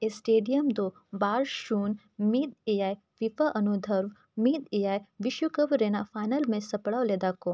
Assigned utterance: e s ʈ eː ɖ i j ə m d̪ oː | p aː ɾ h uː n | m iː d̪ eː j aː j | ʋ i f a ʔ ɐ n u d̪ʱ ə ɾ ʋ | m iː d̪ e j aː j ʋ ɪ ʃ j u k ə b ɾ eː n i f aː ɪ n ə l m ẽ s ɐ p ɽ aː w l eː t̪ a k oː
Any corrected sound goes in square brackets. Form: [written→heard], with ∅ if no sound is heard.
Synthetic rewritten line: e s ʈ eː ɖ i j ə m d̪ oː | [p→b] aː ɾ [h→ʃ] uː n | m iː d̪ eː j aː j | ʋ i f a ʔ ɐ n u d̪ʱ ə ɾ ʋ | m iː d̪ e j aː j ʋ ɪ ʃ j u k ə b ɾ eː n [i→a] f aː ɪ n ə l m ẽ s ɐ p ɽ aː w l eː [t̪→d̪] a k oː